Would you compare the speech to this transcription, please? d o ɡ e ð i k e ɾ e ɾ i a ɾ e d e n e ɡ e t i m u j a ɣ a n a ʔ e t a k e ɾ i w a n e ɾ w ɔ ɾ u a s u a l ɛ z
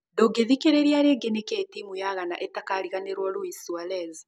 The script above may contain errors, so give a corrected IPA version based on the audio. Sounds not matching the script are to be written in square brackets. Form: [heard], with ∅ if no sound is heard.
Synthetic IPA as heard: d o ɡ e ð i k e ɾ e ɾ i a ɾ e [ɡ] e n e [k] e t i m u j a ɣ a n a ʔ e t a k [a] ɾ i [ɣ] a n e ɾ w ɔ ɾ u [i] s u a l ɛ z

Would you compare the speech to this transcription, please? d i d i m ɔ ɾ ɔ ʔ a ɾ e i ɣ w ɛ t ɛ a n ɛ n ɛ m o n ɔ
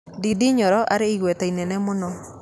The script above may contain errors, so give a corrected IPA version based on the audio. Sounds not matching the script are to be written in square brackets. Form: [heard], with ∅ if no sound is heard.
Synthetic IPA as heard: d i d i [ɲ] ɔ ɾ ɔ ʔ a ɾ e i ɣ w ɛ t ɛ [i] n ɛ n ɛ m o n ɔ

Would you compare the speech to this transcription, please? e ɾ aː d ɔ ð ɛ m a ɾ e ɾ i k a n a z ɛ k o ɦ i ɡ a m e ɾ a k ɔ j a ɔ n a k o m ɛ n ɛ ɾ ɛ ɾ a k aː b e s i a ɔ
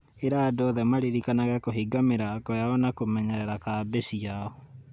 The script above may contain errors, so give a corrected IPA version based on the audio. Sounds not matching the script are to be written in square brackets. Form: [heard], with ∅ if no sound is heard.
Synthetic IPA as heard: e ɾ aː d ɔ ð ɛ m a ɾ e ɾ i k a n a [ɣ] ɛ k o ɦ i ɡ a m e ɾ a k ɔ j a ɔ n a k o m ɛ [ɲ] ɛ ɾ ɛ ɾ a k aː b e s i a ɔ

